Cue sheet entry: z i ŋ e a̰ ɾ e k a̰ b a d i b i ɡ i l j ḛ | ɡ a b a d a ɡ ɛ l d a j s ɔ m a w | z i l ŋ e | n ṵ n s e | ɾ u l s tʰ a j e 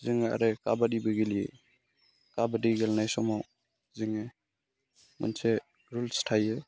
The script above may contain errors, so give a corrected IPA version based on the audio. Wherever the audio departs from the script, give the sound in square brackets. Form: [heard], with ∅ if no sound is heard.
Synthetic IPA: z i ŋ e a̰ ɾ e k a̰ b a d i b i ɡ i l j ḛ | [k] a b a d [i] ɡ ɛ l [n] a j s ɔ m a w | z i [∅] ŋ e | [m] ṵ n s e | ɾ u l s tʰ a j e